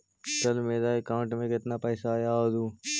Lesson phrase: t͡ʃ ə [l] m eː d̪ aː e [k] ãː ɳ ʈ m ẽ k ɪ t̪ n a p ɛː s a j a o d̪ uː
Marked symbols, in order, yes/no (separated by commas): yes, yes